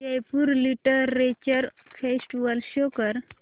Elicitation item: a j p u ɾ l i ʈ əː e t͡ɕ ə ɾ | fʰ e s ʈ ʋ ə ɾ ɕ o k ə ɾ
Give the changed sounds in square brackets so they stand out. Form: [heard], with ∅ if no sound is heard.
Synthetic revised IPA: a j p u ɾ l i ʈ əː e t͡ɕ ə ɾ | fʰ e s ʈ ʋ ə [l] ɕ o k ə ɾ